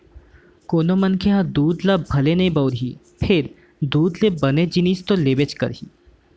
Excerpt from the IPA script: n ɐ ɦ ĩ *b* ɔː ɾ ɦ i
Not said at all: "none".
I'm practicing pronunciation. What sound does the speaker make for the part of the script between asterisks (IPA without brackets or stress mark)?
b